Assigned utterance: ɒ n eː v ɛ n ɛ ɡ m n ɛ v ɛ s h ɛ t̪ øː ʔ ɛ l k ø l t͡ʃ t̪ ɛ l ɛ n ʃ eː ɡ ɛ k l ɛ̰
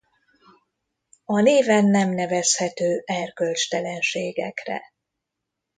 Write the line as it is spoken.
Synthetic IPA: ɒ n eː v ɛ nː ɛ m n ɛ v ɛ s h ɛ t̪ øː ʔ ɛ r k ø l t͡ʃ t̪ ɛ l ɛ n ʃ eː ɡ ɛ k r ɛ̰